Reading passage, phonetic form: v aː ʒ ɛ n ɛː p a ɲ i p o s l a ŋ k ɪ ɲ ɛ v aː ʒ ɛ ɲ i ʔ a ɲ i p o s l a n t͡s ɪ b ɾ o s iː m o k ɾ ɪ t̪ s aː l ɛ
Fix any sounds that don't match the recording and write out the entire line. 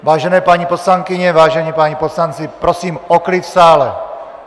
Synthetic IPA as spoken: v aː ʒ ɛ n ɛː p a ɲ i p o s l a ŋ k ɪ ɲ ɛ v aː ʒ ɛ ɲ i p a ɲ i p o s l a n t͡s ɪ p ɾ o s iː m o k l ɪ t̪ s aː l ɛ